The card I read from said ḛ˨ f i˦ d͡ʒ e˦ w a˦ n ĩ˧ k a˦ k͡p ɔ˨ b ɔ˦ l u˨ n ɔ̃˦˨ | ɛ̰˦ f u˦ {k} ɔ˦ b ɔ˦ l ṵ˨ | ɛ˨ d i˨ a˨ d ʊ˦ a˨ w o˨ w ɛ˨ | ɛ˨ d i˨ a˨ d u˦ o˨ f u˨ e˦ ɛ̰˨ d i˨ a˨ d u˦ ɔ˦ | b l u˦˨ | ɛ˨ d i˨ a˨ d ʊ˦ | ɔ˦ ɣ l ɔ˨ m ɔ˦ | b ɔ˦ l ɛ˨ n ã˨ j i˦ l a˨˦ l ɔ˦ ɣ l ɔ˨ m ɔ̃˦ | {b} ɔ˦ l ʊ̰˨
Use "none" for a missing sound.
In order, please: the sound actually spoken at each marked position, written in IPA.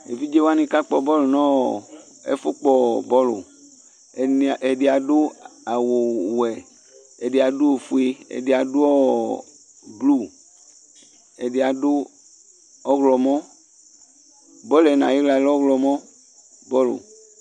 k͡p, b

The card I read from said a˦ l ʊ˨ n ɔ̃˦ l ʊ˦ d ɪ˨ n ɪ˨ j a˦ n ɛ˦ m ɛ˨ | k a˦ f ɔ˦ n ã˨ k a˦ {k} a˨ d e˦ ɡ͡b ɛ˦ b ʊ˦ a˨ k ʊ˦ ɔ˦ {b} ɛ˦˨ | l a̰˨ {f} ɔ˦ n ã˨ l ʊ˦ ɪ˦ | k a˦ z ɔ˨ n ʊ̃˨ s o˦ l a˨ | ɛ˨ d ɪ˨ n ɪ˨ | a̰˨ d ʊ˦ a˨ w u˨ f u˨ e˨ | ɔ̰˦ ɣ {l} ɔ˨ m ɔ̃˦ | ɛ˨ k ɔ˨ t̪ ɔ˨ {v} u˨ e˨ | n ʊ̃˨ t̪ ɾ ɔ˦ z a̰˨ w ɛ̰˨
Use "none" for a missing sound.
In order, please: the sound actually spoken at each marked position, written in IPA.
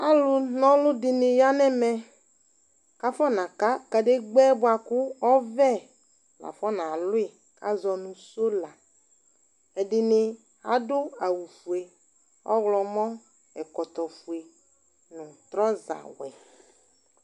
k, v, f, l, f

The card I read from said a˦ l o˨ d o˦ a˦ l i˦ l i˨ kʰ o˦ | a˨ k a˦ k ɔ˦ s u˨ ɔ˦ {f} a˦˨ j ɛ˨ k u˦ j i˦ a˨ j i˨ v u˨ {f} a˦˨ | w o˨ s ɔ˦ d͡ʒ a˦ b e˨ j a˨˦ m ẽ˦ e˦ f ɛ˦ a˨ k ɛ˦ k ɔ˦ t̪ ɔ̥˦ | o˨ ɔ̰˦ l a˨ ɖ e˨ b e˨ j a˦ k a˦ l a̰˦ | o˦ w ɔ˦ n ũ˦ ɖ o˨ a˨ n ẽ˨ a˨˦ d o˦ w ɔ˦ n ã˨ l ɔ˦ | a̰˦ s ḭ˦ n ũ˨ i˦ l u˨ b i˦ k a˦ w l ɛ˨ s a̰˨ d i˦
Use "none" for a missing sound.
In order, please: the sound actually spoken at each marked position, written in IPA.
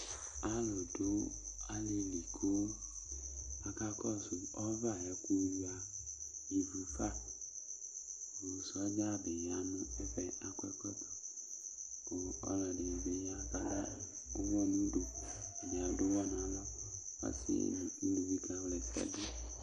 v, f

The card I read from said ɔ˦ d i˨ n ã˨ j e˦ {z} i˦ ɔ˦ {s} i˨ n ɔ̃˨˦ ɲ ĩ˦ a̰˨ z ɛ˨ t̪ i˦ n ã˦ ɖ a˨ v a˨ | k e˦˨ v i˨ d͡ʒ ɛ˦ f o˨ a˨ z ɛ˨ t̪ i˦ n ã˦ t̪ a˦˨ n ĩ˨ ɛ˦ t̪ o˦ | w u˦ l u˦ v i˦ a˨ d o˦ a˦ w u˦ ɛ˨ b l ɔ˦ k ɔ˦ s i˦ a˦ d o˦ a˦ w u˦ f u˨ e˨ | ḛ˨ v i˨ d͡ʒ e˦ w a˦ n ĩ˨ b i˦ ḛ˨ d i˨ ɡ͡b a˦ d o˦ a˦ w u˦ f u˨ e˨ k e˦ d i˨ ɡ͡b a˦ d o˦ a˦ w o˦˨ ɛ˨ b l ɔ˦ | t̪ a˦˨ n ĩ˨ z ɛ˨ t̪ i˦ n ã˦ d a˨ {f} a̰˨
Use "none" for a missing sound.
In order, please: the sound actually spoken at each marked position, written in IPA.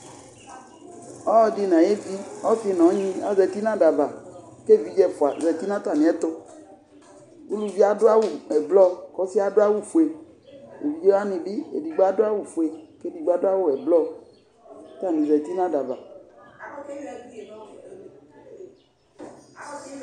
v, f, v

